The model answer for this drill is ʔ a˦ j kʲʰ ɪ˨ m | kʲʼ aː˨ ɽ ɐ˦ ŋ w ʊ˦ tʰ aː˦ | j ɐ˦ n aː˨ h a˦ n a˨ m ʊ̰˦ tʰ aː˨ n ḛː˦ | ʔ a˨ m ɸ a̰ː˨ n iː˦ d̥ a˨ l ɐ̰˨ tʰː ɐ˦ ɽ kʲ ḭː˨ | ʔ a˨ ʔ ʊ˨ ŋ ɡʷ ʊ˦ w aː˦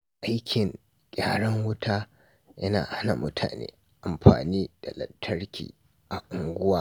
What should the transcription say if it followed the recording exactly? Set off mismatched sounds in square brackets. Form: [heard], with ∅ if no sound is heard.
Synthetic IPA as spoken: ʔ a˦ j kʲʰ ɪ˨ [ŋ] | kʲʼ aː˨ ɽ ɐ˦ ŋ w ʊ˦ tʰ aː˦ | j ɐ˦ n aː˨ h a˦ n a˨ m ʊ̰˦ tʰ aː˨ n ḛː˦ | ʔ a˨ m ɸ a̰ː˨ n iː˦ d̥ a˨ l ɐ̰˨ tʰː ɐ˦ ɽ kʲ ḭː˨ | ʔ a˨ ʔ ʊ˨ ŋ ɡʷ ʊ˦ w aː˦